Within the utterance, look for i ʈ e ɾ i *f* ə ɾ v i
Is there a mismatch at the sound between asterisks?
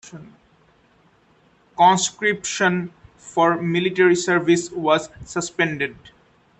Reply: yes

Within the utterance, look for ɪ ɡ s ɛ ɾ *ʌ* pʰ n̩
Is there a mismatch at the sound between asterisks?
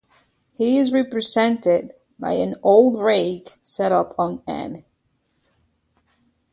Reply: no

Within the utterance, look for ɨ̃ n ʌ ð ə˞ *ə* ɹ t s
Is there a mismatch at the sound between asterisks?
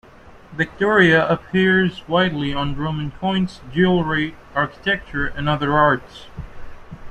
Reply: yes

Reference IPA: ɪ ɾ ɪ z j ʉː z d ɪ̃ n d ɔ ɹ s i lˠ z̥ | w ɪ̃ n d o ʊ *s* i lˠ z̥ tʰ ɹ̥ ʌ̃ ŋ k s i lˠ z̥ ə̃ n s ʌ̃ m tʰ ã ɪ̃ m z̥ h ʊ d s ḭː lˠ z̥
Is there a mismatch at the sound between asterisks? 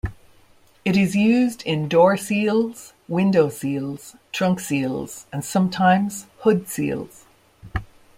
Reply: no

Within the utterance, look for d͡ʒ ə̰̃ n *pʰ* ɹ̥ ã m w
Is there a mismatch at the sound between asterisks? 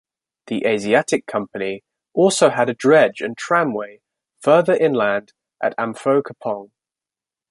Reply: yes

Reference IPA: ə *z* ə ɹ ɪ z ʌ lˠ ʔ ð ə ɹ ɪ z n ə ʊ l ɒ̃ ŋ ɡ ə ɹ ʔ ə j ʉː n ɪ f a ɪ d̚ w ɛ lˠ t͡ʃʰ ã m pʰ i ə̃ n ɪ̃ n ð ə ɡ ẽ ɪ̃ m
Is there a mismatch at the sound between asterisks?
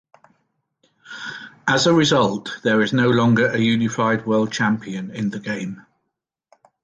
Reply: no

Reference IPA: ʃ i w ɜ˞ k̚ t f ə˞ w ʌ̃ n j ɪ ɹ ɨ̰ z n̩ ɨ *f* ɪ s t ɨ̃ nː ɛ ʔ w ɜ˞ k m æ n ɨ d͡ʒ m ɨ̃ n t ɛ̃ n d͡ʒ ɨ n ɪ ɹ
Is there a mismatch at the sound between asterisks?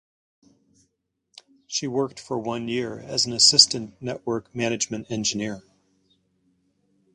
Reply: yes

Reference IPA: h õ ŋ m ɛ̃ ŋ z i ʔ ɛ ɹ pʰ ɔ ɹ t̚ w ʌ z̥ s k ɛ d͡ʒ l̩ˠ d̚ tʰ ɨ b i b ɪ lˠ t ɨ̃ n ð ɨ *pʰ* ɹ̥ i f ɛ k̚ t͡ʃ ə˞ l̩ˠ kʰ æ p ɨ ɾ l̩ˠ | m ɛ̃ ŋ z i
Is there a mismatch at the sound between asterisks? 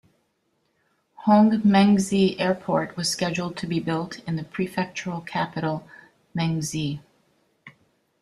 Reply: no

